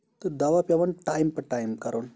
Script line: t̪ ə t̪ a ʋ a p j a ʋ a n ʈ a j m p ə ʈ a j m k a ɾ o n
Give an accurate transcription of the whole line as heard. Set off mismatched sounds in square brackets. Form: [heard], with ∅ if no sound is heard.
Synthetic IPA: t̪ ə [d̪] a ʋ a p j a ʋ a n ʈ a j m p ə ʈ a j m k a ɾ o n